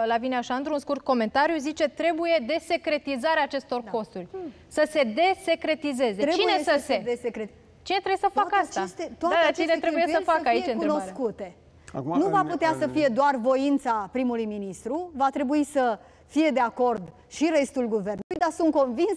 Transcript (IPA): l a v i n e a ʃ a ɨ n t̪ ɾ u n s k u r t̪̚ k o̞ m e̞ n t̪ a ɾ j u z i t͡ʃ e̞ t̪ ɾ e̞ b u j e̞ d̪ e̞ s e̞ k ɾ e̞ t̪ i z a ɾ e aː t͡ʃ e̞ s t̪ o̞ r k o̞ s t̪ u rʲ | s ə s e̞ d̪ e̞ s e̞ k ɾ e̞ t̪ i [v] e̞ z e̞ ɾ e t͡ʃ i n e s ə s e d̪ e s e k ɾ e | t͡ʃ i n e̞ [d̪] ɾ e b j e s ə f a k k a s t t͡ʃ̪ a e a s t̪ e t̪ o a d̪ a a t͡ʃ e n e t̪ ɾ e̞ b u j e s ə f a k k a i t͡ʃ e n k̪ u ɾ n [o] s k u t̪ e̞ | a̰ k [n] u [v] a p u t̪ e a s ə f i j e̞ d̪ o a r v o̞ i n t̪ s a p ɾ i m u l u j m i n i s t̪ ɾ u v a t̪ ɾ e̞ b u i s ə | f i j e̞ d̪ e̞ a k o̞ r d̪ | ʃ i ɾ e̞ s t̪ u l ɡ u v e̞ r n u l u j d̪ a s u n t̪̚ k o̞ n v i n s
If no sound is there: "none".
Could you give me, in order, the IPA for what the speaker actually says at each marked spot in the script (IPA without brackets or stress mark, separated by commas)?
z, t̪, o, n, v